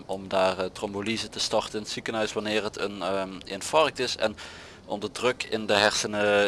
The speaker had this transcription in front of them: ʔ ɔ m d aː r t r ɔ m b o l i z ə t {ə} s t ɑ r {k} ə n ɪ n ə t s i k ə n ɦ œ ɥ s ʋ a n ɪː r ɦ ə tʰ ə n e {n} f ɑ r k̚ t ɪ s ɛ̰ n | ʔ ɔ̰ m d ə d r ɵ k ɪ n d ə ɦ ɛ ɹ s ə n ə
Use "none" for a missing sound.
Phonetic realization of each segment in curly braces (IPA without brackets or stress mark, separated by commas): ə, t, n